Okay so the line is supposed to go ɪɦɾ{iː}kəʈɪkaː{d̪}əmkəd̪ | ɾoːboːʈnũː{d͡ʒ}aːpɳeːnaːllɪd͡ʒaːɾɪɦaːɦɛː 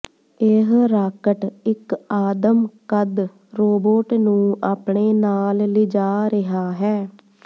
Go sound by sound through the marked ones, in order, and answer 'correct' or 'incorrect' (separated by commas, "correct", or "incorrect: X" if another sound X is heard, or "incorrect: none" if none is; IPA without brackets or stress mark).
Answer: incorrect: aː, correct, incorrect: none